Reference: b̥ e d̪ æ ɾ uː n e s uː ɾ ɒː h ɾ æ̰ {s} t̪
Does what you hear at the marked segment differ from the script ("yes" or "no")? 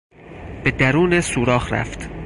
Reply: yes